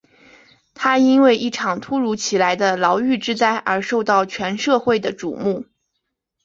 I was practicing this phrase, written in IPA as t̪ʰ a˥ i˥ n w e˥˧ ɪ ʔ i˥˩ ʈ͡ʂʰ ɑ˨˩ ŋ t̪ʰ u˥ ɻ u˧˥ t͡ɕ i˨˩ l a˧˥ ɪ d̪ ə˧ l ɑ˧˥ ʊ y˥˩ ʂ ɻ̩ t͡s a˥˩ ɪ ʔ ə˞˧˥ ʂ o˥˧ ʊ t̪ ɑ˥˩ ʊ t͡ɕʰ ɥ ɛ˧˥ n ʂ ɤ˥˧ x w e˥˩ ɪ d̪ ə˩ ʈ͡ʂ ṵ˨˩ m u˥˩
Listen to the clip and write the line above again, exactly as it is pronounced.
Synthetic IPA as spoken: t̪ʰ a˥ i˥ n w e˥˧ ɪ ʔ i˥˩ ʈ͡ʂʰ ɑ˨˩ ŋ t̪ʰ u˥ ɻ u˧˥ t͡ɕʰ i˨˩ l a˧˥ ɪ d̪ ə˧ l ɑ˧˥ ʊ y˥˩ ʈ͡ʂ ɻ̩ t͡s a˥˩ ɪ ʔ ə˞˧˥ ʂ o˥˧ ʊ t̪ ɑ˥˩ ʊ t͡ɕʰ ɥ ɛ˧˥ n ʂ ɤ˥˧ x w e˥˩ ɪ d̪ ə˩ ʈ͡ʂ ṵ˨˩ m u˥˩